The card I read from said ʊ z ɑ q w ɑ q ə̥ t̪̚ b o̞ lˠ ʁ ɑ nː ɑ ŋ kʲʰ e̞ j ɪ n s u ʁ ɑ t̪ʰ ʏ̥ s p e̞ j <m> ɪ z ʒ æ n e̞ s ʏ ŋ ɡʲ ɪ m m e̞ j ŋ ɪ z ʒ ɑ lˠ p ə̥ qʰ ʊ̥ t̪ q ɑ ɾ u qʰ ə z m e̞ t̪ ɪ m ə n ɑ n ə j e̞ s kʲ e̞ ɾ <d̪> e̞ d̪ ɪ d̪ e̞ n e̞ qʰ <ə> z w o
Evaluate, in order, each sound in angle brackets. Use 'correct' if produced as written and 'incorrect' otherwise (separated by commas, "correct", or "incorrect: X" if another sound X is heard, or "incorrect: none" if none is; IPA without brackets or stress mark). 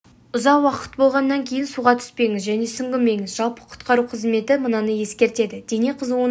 incorrect: ŋ, incorrect: t̪, correct